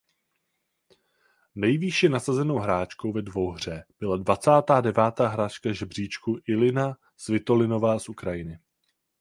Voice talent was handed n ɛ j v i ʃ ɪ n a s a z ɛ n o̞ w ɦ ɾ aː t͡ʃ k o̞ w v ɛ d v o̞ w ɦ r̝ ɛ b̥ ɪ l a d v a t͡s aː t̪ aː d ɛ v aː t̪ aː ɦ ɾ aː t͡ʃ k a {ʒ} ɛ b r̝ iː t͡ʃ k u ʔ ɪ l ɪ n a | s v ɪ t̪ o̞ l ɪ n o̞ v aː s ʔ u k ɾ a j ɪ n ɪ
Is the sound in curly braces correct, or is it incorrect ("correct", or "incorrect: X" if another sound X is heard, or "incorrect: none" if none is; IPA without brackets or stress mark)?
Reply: correct